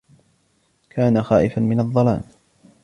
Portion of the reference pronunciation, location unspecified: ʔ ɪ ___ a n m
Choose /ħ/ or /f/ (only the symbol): f